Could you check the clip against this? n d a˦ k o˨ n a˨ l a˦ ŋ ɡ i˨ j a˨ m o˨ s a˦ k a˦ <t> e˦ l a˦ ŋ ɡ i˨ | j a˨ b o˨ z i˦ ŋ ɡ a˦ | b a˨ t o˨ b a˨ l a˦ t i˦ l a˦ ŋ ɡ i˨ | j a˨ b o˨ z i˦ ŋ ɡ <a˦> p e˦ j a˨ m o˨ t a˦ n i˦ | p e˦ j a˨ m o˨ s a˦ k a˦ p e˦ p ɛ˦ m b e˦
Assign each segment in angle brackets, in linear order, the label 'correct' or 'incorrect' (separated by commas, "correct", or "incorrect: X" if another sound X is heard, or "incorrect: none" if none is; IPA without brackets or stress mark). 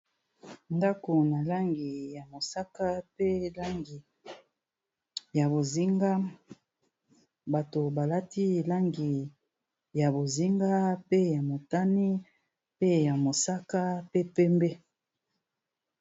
incorrect: p, correct